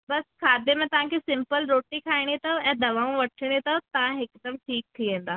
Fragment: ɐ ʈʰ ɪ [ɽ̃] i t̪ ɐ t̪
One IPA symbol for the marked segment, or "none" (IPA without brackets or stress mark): ɽ̃